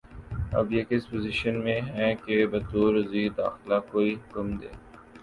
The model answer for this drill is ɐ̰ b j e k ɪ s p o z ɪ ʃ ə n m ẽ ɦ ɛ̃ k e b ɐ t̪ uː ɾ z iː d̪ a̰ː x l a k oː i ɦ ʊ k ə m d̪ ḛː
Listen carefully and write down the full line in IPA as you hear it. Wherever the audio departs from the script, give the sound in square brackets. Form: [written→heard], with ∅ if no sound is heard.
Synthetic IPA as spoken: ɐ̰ b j e k ɪ s p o z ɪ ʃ ə n m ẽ ɦ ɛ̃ k e b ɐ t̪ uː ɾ z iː d̪ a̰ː x l a k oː i ɦ ʊ k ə m d̪ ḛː

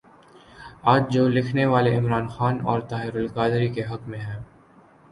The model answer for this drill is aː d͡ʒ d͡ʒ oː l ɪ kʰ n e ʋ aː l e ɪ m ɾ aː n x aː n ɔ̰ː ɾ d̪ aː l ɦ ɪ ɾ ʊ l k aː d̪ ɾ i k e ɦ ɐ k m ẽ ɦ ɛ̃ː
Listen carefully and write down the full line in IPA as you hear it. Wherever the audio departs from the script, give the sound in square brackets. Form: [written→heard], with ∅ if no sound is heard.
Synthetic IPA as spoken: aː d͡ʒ d͡ʒ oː l ɪ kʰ n e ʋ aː l e ɪ m ɾ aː n x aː n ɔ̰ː ɾ [d̪→t̪] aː [l→∅] ɦ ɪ ɾ ʊ l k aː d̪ ɾ i k e ɦ ɐ k m ẽ ɦ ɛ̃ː

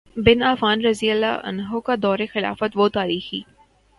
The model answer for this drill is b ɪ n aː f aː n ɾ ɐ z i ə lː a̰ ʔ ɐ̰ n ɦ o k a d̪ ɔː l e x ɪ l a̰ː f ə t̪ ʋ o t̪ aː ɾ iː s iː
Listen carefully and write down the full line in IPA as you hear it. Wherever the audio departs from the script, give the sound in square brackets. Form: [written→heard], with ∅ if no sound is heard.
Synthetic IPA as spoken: b ɪ n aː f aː n ɾ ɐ z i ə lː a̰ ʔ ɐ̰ n ɦ o k a d̪ ɔː [l→ɾ] e x ɪ l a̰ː f ə t̪ ʋ o t̪ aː ɾ iː [s→x] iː

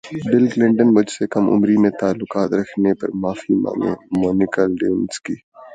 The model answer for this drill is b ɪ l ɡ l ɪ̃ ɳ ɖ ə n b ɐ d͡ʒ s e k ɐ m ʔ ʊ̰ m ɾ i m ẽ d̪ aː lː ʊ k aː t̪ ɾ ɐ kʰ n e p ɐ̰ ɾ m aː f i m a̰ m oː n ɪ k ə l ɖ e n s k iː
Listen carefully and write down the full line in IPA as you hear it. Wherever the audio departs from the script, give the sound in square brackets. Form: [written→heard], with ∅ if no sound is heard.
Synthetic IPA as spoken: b ɪ l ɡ l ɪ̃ ɳ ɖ ə n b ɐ d͡ʒ s e k ɐ m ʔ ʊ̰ m ɾ i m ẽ [d̪→t̪] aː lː ʊ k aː t̪ ɾ ɐ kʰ n e p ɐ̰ ɾ m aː f i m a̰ m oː n ɪ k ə l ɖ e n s k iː

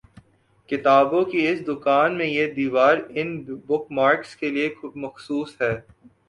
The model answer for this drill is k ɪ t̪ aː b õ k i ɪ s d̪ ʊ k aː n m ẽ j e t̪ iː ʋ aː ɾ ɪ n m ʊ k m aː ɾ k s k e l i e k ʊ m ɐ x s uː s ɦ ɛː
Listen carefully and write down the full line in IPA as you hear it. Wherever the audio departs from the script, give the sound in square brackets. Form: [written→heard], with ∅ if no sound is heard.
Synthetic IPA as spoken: k ɪ t̪ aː b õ k i ɪ s d̪ ʊ k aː n m ẽ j e [t̪→d̪] iː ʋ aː ɾ ɪ n [m→b] ʊ k m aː ɾ k s k e l i e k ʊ m ɐ x s uː s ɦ ɛː

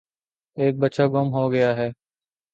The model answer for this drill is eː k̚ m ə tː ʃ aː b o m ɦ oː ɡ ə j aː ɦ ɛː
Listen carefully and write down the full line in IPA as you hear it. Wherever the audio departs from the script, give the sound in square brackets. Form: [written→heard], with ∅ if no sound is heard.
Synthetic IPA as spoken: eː k̚ [m→b] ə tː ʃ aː [b→ɡ] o m ɦ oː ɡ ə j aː ɦ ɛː

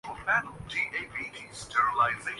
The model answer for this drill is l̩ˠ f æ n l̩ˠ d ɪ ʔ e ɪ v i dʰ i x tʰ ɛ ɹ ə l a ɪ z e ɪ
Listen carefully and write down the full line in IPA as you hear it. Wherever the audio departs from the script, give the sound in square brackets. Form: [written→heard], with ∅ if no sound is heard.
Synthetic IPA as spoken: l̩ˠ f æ n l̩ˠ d [ɪ→i] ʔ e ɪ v i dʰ i [x→s] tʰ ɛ ɹ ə l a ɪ z e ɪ

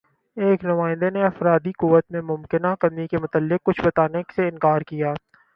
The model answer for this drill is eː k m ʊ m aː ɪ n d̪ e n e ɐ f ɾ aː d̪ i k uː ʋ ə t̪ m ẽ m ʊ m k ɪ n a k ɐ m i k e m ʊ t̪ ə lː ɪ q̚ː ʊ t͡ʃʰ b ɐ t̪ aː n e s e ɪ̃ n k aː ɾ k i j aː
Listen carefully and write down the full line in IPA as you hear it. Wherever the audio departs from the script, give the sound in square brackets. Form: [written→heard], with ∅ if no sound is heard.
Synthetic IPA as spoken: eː k [m→n] ʊ m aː ɪ n d̪ e n e ɐ f ɾ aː d̪ i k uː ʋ ə t̪ m ẽ m ʊ m k ɪ n a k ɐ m i k e m ʊ t̪ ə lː ɪ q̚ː ʊ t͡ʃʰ b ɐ t̪ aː n e s e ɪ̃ n k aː ɾ k i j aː

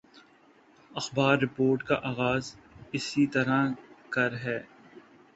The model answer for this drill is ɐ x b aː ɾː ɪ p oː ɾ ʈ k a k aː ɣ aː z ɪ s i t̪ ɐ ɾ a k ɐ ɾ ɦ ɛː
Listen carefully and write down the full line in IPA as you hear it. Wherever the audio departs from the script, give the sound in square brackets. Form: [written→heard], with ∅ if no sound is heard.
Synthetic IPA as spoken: ɐ x b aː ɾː ɪ p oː ɾ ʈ k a [k→ʔ] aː ɣ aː z ɪ s i t̪ ɐ ɾ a k ɐ ɾ ɦ ɛː

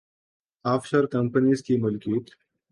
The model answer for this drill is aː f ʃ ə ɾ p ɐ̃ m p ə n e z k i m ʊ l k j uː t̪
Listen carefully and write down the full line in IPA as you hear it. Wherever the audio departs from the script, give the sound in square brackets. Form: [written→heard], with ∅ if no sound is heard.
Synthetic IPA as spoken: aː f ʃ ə ɾ [p→k] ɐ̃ m p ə n [e→i] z k i m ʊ l k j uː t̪

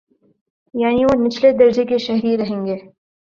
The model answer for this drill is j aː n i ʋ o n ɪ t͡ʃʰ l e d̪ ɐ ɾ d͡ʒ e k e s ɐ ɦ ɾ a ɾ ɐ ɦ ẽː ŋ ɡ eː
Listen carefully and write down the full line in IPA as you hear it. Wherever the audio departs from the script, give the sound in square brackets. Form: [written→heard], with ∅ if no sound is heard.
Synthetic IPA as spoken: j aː n i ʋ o n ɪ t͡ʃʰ l e d̪ ɐ ɾ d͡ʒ e k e [s→ʃ] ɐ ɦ ɾ [a→i] ɾ ɐ ɦ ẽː ŋ ɡ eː

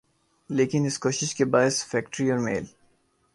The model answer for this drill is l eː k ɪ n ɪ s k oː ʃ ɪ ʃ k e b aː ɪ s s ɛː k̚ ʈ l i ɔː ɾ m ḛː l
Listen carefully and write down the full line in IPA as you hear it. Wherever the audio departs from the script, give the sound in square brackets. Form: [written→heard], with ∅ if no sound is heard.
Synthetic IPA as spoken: l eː k ɪ n ɪ s k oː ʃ ɪ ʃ k e b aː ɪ s [s→f] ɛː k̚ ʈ [l→ɾ] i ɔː ɾ m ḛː l

